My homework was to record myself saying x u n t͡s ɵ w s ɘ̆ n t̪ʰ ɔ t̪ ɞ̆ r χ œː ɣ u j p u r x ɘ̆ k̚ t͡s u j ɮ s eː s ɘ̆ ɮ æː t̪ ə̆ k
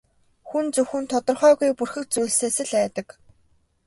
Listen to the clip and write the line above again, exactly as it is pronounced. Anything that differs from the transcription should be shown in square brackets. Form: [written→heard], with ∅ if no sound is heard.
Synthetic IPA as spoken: x u n t͡s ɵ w [s→x] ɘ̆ n t̪ʰ ɔ t̪ ɞ̆ r χ œː ɣ u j p u r x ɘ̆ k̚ t͡s u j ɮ s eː s ɘ̆ ɮ æː t̪ ə̆ k